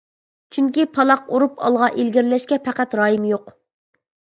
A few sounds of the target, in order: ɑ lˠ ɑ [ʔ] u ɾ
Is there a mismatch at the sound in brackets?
yes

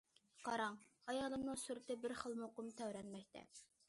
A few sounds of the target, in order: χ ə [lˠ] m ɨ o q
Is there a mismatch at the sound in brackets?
no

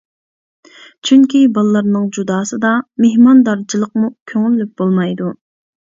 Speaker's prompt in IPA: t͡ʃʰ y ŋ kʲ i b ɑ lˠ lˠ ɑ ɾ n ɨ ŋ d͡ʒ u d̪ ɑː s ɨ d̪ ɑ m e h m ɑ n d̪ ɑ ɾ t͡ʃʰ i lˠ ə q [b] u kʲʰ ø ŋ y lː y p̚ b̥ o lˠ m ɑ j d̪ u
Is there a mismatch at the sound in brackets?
yes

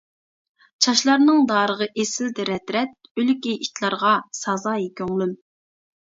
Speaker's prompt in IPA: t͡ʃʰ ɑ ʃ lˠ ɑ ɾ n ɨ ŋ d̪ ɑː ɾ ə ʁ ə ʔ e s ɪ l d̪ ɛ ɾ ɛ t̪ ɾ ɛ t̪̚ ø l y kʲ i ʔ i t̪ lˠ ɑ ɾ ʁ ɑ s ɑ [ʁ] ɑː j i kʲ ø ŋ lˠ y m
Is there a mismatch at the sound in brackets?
yes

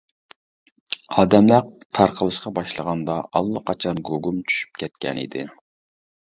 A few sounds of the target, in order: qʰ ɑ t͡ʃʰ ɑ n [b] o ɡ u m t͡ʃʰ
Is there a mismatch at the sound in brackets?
yes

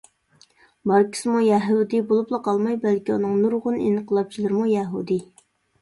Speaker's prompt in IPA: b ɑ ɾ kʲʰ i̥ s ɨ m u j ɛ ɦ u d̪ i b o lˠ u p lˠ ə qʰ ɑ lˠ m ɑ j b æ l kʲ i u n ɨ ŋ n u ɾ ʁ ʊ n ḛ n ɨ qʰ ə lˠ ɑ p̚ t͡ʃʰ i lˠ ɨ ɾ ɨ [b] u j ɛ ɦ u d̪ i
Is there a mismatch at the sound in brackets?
yes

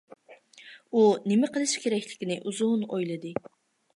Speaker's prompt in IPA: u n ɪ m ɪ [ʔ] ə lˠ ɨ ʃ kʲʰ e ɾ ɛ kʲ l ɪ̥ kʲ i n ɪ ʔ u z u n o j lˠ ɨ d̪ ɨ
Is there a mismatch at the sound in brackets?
yes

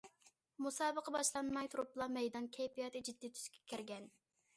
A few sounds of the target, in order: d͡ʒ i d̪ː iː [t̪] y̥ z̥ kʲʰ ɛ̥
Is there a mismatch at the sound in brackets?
yes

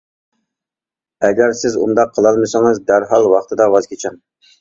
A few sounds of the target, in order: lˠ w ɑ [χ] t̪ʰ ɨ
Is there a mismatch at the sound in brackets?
no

